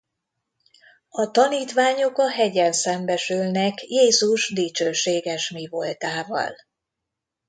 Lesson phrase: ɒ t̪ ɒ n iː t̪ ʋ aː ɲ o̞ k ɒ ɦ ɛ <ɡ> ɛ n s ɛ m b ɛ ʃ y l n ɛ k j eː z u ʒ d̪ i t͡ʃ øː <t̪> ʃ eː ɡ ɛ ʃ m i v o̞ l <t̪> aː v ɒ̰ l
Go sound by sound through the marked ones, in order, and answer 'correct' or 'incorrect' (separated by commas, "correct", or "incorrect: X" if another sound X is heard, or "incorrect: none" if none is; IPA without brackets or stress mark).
incorrect: ɟ, incorrect: none, correct